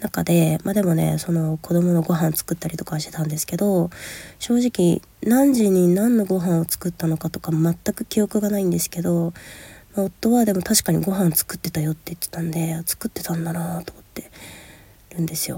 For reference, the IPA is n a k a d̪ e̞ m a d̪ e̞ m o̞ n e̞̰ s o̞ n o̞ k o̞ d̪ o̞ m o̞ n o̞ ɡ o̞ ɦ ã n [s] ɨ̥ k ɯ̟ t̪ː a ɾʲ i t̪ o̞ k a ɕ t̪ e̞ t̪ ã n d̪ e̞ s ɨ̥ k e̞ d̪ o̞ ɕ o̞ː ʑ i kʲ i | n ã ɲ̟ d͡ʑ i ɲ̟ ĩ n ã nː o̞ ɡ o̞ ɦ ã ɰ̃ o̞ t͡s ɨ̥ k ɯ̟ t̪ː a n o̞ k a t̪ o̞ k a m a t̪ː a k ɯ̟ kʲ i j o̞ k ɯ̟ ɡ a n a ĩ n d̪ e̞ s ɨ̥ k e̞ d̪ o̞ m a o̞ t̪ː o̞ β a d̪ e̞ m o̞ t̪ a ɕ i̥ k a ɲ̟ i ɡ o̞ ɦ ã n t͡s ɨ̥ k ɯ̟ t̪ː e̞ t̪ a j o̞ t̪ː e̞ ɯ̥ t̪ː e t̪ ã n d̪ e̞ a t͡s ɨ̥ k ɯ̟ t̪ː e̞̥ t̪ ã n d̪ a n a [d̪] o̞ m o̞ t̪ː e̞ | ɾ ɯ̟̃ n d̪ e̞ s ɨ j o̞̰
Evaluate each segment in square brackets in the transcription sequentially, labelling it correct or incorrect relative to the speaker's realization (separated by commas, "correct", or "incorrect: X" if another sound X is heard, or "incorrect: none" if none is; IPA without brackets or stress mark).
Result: incorrect: t͡s, incorrect: t̪